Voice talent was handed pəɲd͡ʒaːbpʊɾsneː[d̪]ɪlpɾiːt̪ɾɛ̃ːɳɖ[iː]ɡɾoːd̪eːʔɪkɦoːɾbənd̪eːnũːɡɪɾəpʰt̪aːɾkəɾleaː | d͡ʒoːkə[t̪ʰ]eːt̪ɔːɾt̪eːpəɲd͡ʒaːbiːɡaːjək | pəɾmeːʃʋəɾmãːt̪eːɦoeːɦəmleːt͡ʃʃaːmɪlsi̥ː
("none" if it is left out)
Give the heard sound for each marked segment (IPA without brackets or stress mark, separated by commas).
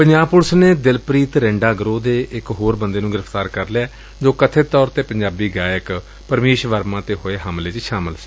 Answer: d̪, aː, t̪ʰ